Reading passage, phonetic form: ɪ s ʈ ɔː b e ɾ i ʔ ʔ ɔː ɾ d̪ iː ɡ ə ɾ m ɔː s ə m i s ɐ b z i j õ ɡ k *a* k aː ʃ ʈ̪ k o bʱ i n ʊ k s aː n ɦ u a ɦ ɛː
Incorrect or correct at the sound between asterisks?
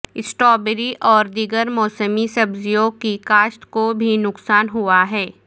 incorrect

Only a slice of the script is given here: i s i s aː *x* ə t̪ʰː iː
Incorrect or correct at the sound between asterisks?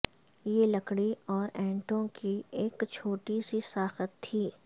correct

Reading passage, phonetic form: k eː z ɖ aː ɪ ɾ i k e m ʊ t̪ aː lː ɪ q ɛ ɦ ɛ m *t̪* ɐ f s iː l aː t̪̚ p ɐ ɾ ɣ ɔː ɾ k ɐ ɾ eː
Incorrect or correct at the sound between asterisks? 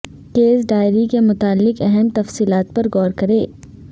correct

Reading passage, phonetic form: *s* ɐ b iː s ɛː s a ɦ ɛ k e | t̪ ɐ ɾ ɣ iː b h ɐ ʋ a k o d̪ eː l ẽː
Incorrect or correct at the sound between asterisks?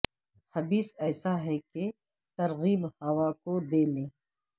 incorrect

